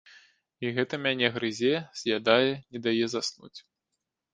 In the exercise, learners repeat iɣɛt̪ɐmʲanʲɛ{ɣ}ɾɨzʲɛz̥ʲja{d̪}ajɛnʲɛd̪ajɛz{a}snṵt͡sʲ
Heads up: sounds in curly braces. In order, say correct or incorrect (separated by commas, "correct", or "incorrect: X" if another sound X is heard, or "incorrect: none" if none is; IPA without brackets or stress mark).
correct, correct, correct